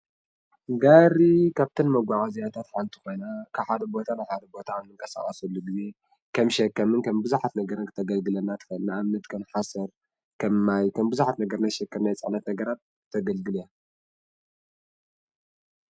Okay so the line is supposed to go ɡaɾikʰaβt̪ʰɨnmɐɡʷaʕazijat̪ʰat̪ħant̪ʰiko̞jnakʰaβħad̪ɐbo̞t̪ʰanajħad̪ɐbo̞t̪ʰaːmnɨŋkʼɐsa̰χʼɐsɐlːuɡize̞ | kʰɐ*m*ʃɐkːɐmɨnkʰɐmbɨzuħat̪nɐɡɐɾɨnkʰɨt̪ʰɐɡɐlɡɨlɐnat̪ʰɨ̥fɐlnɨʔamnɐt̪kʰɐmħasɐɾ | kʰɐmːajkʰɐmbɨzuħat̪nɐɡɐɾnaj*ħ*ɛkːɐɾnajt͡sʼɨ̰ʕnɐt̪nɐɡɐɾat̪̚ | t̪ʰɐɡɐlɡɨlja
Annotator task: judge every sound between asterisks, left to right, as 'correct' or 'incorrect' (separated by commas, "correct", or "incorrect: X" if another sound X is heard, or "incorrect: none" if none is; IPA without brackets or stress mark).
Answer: correct, incorrect: ʃ